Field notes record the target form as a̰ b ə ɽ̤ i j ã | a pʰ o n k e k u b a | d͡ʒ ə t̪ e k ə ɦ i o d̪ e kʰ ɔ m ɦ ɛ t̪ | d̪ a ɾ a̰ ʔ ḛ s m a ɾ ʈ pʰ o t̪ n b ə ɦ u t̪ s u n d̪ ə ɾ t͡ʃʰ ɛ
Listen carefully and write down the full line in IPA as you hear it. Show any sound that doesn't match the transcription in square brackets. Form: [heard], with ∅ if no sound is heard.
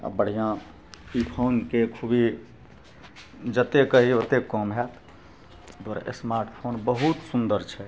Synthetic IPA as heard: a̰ b ə ɽ̤ i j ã | [i] pʰ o n k e [kʰ] u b [i] | d͡ʒ ə t̪ e k ə ɦ i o [t̪] e [k] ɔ m ɦ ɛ t̪ | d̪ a ɾ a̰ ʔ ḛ s m a ɾ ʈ pʰ o [∅] n b ə ɦ u t̪ s u n d̪ ə ɾ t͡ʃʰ ɛ